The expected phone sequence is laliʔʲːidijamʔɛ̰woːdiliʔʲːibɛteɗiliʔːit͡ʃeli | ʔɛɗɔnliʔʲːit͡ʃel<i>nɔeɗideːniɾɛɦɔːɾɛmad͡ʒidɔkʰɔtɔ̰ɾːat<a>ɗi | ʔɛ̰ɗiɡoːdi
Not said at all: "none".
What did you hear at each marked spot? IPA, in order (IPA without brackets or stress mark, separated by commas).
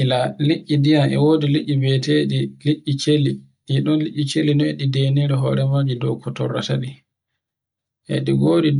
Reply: i, a